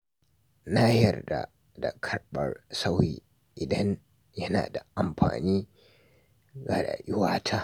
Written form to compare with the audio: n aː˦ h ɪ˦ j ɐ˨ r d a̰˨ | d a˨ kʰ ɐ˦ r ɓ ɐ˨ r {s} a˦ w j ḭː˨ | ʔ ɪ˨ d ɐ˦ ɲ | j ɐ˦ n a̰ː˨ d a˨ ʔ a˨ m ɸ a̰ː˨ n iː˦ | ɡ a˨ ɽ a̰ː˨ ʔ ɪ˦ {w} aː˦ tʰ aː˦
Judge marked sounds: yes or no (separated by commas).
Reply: yes, yes